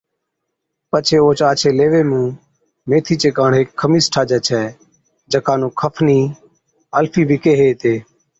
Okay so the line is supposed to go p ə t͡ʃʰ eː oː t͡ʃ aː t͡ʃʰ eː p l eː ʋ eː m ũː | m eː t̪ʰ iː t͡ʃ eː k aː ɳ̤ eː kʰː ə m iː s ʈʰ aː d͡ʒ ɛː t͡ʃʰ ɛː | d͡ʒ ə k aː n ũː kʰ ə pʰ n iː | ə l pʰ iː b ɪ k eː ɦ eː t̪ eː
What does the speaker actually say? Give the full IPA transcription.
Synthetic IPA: p ə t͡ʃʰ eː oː t͡ʃ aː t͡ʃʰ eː l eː ʋ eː m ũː | m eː t̪ʰ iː t͡ʃ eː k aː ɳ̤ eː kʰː ə m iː s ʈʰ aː d͡ʒ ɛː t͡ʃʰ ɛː | d͡ʒ ə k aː n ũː kʰ ə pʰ n iː | ə l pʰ iː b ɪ k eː ɦ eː t̪ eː

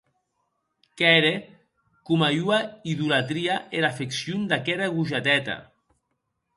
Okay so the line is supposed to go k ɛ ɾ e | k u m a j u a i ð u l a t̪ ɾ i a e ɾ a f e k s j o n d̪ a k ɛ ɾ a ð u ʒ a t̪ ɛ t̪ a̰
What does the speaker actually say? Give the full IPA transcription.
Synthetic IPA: k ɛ ɾ e | k u m a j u a i ð u l a t̪ ɾ i a e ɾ a f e k s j u n d̪ a k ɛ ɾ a ɣ u ʒ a t̪ ɛ t̪ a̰

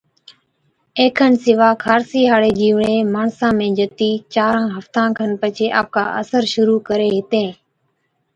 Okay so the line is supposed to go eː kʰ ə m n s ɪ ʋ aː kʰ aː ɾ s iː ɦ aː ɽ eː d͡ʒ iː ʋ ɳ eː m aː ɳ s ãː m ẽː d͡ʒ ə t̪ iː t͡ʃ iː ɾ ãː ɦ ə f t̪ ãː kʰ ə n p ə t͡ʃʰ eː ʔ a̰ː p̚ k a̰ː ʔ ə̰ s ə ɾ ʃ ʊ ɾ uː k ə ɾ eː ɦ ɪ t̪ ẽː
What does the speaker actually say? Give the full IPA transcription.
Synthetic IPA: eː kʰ ə n s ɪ ʋ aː kʰ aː ɾ s iː ɦ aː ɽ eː d͡ʒ iː ʋ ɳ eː m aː ɳ s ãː m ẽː d͡ʒ ə t̪ iː t͡ʃ aː ɾ ãː ɦ ə f t̪ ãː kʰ ə n p ə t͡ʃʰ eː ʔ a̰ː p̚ k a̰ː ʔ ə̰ s ə ɾ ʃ ʊ ɾ uː k ə ɾ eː ɦ ɪ t̪ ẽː

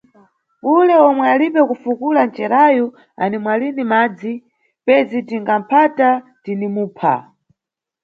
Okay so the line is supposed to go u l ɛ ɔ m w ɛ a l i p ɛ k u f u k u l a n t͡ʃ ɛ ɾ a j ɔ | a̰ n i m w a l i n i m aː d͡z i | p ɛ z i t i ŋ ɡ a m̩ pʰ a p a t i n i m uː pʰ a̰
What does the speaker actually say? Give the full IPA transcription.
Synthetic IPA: u l ɛ ɔ m w ɛ a l i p ɛ k u f u k u l a n t͡ʃ ɛ ɾ a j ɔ | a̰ n i m w a l i n i m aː d͡z i | p ɛ z i t i ŋ ɡ a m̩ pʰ a t a t i n i m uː pʰ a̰

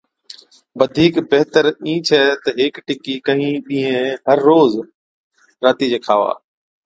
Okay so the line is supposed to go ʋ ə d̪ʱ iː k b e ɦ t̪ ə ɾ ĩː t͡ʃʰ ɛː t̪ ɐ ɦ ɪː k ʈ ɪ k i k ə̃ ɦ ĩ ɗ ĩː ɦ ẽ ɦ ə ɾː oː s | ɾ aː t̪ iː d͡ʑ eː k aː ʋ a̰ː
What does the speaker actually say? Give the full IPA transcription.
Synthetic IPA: ʋ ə d̪ʱ iː k b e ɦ t̪ ə ɾ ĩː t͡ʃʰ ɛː t̪ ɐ ɦ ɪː k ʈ ɪ k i k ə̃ ɦ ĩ ɗ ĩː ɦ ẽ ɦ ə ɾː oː z | ɾ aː t̪ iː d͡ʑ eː kʰ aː ʋ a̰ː

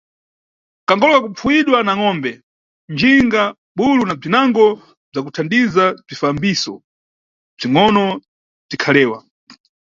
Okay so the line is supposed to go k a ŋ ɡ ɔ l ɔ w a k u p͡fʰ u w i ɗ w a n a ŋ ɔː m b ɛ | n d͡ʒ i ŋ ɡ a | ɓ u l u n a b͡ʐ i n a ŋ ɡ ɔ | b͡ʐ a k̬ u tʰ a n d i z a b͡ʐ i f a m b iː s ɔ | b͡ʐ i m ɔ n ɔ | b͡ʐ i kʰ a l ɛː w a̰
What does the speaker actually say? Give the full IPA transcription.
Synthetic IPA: k a ŋ ɡ ɔ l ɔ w a k u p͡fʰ u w i ɗ w a n a ŋ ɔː m b ɛ | n d͡ʒ i ŋ ɡ a | ɓ u l u n a b͡ʐ i n a ŋ ɡ ɔ | b͡ʐ a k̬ u tʰ a n d i z a b͡ʐ i f a m b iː s ɔ | b͡ʐ i ŋ ɔ n ɔ | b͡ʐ i kʰ a l ɛː w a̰

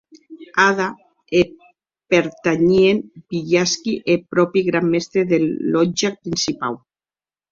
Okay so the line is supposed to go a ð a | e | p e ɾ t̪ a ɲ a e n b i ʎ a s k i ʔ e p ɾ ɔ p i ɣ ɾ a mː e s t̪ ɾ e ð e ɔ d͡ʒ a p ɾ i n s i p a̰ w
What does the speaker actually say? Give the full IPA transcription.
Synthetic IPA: a ð a | e | p e ɾ t̪ a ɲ i e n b i ʎ a s k i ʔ e p ɾ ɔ p i ɣ ɾ a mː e s t̪ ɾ e ð e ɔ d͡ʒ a p ɾ i n s i p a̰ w

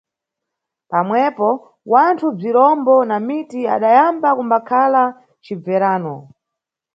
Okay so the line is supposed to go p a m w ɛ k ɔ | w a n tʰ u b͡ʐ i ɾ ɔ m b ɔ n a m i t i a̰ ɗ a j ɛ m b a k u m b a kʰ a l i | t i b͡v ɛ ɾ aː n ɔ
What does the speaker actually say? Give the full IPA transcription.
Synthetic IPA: p a m w ɛ p ɔ | w a n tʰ u b͡ʐ i ɾ ɔ m b ɔ n a m i t i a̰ ɗ a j a m b a k u m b a kʰ a l a | t͡ʃ i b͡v ɛ ɾ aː n ɔ

